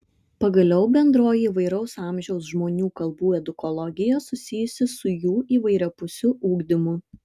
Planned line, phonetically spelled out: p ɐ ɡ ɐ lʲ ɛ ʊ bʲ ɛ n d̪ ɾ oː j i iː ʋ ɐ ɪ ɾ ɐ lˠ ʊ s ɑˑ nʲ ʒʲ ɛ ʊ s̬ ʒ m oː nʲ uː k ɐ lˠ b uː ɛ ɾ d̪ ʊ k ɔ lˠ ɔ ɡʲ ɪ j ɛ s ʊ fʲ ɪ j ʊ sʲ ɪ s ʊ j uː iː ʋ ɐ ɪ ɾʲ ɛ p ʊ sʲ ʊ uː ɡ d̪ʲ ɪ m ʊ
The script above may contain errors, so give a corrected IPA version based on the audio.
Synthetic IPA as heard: p ɐ ɡ ɐ lʲ ɛ ʊ bʲ ɛ n d̪ ɾ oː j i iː ʋ ɐ ɪ ɾ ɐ ʊ s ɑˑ mʲ ʒʲ ɛ ʊ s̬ ʒ m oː nʲ uː k ɐ lˠ b uː ɛ d̪ ʊ k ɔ lˠ ɔ ɡʲ ɪ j ɛ s ʊ sʲ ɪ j ʊ sʲ ɪ s ʊ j uː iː ʋ ɐ ɪ ɾʲ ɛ p ʊ sʲ ʊ uː ɡ d̪ʲ ɪ m ʊ